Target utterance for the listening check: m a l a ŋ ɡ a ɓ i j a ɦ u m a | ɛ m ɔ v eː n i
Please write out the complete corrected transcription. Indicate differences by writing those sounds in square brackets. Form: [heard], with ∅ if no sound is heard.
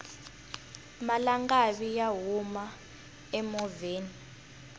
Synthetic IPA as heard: m a l a ŋ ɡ a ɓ i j a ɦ u m a | ɛ m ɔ v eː n i

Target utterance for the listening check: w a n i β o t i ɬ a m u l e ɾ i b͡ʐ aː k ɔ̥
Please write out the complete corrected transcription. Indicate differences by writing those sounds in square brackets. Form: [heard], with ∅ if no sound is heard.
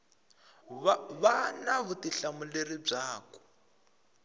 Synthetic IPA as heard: [β] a n [a] β [u] t i ɬ a m u l e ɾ i b͡ʐ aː k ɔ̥

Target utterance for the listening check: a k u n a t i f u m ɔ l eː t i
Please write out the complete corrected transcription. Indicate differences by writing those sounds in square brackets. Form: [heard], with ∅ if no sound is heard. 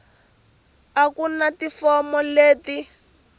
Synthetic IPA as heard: a k u n a t i f [ɔ] m ɔ l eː t i

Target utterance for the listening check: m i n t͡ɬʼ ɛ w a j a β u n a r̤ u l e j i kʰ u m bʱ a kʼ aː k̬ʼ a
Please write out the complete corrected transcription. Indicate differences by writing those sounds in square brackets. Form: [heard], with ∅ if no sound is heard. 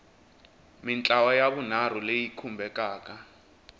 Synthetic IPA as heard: m i n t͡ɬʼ [a] w a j a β u n a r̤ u l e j i kʰ u m bʱ [ɛ] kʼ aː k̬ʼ a

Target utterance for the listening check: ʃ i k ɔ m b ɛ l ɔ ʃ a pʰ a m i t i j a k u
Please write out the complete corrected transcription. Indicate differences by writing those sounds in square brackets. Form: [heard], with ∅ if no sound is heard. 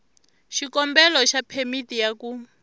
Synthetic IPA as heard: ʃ i k ɔ m b ɛ l ɔ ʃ a pʰ [e] m i t i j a k u

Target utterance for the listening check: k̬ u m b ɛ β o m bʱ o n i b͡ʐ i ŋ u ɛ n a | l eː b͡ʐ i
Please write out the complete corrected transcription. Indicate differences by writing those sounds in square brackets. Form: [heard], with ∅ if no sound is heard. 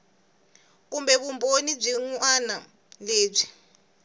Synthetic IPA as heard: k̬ u m b ɛ β [u] m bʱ o n i b͡ʐ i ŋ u [a] n a | l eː b͡ʐ i

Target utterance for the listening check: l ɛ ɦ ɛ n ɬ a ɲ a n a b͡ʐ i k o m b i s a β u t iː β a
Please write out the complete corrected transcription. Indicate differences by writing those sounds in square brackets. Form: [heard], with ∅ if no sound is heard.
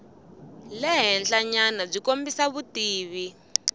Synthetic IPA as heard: l ɛ ɦ ɛ n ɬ a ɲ a n a b͡ʐ i k o m b i s a β u t iː β [i]

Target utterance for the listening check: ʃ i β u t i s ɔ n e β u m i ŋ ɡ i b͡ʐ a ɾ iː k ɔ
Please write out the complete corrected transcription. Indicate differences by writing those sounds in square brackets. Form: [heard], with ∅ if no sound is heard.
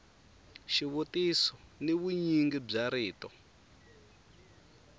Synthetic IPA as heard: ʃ i β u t i s ɔ n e β u [ɲ] i ŋ ɡ i b͡ʐ a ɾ iː [t] ɔ

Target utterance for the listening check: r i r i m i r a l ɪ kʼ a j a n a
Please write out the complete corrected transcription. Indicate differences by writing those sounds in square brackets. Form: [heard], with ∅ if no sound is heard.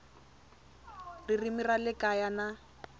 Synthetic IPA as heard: r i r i m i r a l ɪ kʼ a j a n a

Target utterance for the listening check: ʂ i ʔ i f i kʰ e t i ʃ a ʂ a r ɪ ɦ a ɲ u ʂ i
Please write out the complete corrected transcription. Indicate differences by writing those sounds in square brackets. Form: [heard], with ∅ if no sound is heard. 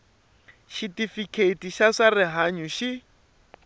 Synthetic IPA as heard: [ʃ] i [t] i f i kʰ e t i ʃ a ʂ a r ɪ ɦ a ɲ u [ʃ] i

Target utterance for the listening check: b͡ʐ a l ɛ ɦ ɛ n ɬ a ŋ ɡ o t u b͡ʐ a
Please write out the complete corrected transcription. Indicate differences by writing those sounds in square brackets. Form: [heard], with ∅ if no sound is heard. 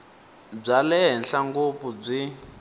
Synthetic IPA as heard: b͡ʐ a l ɛ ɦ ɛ n ɬ a ŋ ɡ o [p] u b͡ʐ [i]

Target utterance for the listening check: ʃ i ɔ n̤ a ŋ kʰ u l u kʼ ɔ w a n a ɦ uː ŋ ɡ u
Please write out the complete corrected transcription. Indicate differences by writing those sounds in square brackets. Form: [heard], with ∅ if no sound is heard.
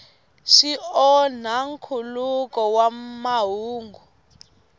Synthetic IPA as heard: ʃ i ɔ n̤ a ŋ kʰ u l u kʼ ɔ w a [m] a ɦ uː ŋ ɡ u

